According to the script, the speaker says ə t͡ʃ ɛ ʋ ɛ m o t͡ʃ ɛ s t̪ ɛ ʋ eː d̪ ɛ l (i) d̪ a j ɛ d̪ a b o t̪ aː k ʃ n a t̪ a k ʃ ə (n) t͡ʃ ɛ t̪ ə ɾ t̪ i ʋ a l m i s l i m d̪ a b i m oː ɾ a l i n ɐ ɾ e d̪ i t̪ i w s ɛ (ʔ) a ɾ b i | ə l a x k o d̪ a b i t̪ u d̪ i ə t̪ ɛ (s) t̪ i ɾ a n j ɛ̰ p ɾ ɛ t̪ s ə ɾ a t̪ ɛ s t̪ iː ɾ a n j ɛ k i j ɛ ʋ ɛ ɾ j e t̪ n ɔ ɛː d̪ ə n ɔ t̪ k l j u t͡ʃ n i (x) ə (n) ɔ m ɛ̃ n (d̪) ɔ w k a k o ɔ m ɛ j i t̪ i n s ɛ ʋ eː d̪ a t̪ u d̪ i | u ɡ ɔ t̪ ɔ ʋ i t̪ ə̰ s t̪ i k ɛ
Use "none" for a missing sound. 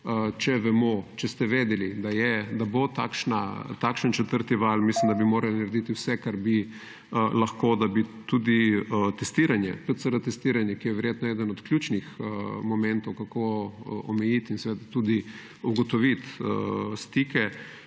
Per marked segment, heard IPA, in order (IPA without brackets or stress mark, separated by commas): i, n, k, s, x, m, t̪